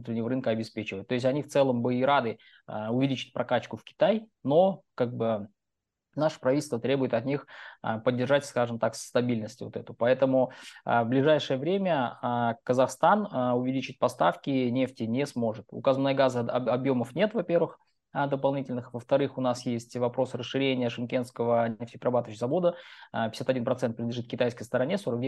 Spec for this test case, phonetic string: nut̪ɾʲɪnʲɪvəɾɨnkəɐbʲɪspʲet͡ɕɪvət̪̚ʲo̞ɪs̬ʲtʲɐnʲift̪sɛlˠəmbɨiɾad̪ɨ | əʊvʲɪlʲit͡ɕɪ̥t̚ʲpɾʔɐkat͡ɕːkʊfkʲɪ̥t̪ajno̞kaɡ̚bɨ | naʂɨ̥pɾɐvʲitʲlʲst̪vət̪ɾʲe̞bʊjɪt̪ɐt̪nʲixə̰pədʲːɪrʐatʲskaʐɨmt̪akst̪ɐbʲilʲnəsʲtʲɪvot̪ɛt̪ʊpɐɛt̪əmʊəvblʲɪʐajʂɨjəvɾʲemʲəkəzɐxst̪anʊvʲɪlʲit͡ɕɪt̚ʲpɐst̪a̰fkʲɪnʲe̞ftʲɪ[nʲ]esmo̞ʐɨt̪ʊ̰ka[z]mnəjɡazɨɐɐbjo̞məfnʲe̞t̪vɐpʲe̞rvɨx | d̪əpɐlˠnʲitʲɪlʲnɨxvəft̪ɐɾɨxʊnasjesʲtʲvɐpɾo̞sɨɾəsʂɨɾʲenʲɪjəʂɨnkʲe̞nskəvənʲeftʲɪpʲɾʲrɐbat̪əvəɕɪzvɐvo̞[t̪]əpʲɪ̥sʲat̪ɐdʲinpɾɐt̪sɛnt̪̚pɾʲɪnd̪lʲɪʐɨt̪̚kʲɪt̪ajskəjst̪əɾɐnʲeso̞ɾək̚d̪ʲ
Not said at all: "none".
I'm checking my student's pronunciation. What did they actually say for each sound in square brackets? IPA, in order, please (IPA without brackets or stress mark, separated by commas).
nʲ, z, d̪